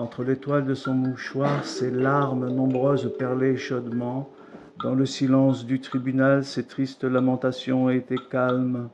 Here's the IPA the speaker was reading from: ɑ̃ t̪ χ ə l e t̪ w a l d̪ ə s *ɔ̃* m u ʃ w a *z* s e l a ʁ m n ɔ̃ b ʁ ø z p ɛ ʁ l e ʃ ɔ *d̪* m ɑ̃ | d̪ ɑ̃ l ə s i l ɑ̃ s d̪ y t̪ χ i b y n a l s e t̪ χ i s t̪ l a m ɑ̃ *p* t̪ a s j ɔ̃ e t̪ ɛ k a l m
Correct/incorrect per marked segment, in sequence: correct, incorrect: ʁ, correct, incorrect: none

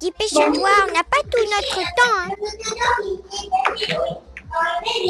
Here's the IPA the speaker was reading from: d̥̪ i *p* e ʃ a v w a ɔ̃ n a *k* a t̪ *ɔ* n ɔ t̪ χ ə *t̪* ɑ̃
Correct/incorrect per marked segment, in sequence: correct, incorrect: p, incorrect: u, correct

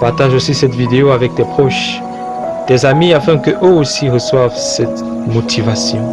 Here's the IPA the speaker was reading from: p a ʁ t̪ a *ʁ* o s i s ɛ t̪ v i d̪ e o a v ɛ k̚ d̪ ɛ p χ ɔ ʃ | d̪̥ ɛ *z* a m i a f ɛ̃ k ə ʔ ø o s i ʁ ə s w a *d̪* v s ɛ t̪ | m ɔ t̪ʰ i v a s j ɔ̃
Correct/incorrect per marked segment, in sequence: incorrect: ʒ, correct, incorrect: none

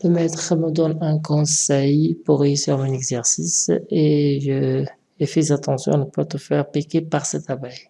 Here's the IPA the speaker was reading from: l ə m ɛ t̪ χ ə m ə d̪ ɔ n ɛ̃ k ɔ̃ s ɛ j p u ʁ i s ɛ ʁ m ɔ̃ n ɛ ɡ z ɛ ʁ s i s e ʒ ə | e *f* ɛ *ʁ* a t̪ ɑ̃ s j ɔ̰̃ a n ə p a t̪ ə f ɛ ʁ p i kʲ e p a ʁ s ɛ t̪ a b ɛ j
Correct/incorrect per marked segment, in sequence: correct, incorrect: z

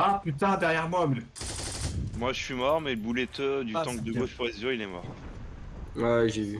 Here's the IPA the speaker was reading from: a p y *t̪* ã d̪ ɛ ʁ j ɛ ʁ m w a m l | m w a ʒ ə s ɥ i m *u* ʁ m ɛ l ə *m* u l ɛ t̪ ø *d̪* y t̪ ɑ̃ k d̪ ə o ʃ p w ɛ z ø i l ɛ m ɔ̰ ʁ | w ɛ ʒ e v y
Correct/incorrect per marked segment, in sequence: correct, incorrect: ɔ, incorrect: b, correct

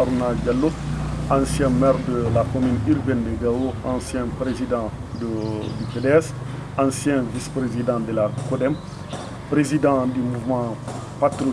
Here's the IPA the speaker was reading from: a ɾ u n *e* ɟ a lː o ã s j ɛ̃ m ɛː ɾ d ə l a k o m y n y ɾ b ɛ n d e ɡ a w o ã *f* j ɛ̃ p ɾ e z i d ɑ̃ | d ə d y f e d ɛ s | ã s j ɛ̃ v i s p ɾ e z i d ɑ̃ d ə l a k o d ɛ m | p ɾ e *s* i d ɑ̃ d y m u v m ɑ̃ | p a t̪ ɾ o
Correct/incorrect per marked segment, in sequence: incorrect: a, incorrect: s, incorrect: z

